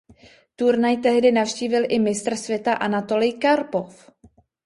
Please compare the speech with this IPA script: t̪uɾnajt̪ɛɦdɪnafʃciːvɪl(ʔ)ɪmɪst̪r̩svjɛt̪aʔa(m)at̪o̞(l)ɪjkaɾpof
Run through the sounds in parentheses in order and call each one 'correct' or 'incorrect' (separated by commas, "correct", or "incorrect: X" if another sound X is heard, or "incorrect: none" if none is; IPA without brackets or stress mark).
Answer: correct, incorrect: n, correct